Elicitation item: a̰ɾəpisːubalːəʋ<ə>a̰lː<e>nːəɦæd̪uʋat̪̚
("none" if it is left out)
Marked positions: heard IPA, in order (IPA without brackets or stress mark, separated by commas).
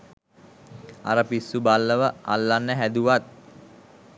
ə, a